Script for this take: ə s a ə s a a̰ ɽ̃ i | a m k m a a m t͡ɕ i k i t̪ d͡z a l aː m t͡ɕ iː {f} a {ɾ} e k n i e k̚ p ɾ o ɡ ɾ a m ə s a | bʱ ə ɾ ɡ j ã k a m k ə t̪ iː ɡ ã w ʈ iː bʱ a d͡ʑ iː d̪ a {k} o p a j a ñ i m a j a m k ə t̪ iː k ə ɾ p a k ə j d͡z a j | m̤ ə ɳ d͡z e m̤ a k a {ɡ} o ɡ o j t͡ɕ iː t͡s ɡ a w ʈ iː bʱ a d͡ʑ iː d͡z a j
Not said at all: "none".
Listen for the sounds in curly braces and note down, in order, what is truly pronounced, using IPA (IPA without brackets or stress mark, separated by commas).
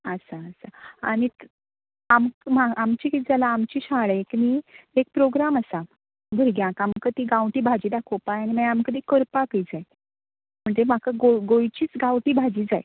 ɕ, ɭ, kʰ, ɡ